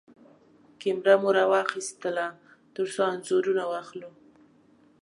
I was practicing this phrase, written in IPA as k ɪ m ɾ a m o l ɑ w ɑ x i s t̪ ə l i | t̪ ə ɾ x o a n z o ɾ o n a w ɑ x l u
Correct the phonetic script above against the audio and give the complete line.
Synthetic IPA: k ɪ m ɾ a m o ɾ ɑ w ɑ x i s t̪ ə l a | t̪ ə ɾ s o a n z o ɾ u n a w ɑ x l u